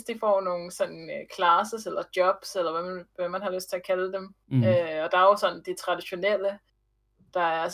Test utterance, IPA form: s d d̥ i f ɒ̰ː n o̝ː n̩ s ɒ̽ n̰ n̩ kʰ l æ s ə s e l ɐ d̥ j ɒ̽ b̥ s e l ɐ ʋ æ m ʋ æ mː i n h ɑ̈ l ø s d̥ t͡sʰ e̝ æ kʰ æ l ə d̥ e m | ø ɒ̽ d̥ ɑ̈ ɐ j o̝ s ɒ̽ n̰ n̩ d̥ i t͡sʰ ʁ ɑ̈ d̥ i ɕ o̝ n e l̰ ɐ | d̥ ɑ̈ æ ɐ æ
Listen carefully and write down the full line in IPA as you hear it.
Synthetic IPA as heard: s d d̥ i f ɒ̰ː n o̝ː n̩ s ɒ̽ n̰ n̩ kʰ l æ s ə s e l ɐ d̥ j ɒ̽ b̥ s e l ɐ ʋ æ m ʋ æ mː æ n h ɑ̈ l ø s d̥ t͡sʰ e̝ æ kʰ æ l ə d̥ e m | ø ɒ̽ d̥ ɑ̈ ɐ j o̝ s ɒ̽ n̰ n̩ d̥ i t͡sʰ ʁ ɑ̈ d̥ i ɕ o̝ n e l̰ ə | d̥ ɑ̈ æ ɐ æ